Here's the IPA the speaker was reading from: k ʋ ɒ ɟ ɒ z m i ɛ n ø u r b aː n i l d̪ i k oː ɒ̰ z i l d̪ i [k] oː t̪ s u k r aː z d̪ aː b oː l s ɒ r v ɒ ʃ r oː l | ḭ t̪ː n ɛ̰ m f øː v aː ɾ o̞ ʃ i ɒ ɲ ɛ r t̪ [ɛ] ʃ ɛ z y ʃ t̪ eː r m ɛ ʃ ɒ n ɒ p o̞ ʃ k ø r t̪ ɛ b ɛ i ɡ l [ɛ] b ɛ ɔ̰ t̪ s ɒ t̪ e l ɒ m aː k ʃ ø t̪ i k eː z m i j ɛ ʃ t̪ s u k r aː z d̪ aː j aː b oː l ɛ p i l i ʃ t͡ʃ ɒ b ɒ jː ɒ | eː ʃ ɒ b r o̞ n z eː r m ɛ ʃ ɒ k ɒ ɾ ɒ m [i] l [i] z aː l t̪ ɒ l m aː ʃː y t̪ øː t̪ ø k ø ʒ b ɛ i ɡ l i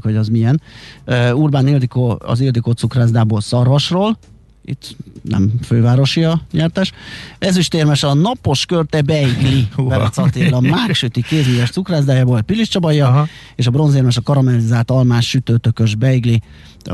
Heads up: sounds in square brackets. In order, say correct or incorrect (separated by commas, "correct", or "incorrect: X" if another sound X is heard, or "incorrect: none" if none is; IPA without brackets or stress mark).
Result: correct, correct, incorrect: i, incorrect: ɛ, correct